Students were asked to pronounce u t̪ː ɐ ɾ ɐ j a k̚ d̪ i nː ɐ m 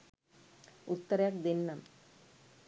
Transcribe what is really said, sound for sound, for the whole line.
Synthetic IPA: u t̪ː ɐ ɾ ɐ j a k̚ d̪ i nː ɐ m